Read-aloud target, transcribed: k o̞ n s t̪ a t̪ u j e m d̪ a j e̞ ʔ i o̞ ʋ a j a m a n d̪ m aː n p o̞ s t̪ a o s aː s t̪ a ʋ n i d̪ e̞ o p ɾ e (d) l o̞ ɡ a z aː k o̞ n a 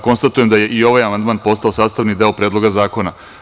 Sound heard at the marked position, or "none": d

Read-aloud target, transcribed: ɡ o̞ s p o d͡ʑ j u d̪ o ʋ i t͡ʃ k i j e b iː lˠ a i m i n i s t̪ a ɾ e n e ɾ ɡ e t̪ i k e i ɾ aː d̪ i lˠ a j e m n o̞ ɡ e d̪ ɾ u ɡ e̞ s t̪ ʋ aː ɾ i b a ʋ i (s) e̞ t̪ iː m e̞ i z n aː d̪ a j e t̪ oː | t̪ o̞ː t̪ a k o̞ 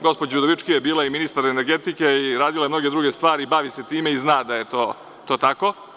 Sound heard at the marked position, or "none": s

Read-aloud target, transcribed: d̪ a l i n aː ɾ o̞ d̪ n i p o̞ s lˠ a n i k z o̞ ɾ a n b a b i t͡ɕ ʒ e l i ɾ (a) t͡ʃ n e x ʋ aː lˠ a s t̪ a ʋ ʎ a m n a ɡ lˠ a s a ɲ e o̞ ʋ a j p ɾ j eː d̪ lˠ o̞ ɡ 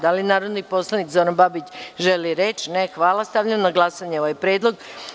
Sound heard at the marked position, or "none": e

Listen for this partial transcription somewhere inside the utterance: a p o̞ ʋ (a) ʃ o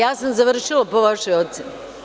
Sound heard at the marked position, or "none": a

